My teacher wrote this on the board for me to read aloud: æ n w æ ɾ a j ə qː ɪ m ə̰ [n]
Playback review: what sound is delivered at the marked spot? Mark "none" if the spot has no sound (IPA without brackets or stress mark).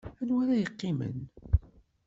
n